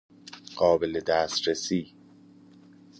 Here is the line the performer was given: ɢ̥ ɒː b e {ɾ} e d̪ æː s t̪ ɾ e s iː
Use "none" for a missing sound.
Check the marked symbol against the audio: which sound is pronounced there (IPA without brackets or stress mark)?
l